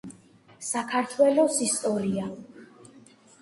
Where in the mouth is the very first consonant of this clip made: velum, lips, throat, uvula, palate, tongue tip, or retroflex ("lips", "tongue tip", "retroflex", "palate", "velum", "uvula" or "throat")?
tongue tip